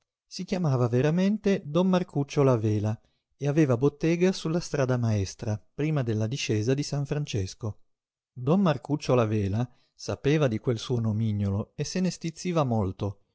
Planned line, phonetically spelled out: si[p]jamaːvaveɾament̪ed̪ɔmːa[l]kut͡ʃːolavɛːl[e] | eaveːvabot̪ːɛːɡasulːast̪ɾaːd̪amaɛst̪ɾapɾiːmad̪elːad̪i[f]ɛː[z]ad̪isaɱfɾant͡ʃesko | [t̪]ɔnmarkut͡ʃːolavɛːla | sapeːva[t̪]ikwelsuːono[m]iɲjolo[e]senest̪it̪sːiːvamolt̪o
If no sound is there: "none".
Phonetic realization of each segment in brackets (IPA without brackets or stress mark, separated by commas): k, r, a, ʃ, z, d̪, d̪, m, e